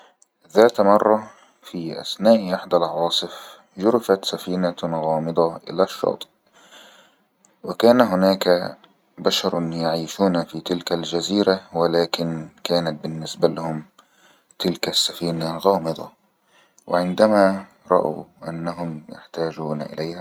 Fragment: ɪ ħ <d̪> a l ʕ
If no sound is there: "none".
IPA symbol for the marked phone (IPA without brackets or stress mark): d̪